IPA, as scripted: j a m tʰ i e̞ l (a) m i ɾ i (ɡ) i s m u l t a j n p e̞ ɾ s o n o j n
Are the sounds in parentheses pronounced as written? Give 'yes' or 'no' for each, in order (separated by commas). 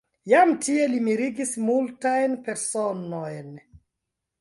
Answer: no, yes